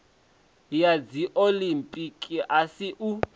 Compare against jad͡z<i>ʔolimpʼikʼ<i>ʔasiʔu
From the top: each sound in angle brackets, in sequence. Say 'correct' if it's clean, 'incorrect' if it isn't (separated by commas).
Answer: correct, correct